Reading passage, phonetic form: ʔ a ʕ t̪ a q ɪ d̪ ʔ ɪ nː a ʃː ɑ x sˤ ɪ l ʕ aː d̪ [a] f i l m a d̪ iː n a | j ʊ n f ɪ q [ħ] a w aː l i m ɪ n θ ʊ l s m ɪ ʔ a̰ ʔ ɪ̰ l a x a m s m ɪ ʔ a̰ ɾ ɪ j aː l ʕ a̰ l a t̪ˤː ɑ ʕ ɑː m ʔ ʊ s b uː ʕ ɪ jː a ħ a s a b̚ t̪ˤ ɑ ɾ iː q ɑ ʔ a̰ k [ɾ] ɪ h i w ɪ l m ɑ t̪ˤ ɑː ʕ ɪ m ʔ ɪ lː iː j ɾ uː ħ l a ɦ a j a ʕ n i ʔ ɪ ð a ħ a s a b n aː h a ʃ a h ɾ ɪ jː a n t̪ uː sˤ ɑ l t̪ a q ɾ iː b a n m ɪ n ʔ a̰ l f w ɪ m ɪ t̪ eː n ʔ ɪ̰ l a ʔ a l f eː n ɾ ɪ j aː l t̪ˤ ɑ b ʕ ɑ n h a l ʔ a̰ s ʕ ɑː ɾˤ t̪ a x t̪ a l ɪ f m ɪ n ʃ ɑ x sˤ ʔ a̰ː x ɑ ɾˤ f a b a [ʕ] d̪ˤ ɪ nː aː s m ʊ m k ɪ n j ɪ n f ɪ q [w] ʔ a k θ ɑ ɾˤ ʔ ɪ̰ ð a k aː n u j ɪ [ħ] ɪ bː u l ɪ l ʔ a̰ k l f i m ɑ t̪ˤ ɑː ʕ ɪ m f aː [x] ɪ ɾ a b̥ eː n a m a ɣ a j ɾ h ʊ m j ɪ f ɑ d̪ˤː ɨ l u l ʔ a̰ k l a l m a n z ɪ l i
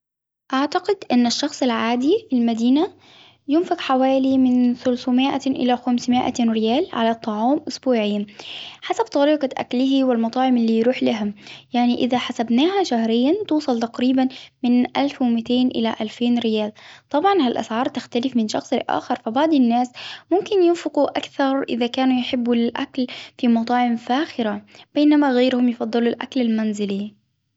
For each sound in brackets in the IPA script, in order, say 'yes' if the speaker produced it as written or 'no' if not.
no, yes, no, yes, no, yes, yes

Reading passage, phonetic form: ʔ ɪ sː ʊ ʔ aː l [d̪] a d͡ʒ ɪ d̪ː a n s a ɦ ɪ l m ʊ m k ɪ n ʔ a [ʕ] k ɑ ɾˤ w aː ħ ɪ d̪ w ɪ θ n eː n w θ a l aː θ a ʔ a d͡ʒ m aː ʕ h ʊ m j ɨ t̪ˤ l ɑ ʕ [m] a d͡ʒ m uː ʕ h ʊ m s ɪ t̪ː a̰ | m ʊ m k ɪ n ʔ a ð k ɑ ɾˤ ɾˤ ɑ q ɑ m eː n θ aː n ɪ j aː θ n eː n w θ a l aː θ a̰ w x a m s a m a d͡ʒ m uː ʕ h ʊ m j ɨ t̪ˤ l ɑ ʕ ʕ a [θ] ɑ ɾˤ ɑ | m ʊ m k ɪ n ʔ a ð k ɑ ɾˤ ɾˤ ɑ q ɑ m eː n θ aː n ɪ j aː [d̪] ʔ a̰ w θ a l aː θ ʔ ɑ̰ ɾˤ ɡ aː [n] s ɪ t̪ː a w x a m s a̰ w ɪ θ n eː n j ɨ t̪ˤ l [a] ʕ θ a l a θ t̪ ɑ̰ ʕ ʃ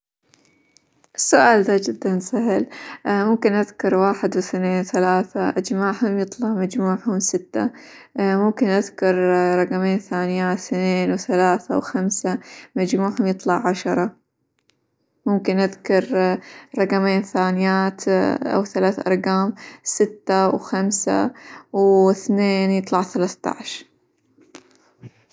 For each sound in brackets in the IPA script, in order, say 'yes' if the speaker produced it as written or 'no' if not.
yes, no, yes, no, no, no, no

